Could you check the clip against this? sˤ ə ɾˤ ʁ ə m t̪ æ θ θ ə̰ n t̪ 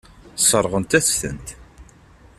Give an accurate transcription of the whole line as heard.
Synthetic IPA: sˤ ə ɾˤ ʁ ə n t̪ æ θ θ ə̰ n t̪